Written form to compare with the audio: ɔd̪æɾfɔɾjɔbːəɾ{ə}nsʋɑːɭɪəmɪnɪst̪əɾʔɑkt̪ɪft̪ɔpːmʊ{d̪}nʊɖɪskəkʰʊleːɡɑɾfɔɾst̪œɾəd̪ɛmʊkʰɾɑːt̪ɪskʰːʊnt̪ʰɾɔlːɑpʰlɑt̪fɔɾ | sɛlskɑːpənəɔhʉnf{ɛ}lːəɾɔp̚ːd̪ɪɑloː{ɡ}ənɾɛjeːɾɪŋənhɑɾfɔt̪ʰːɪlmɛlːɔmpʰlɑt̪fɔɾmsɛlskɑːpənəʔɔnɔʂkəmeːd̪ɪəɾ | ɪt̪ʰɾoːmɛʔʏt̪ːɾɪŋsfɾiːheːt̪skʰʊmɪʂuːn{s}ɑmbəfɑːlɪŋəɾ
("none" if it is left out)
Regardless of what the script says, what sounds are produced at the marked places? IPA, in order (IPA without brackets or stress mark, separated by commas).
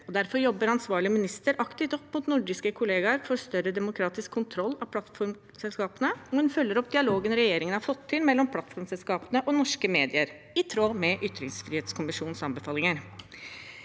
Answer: ɑ, t̪, œ, ɡ, s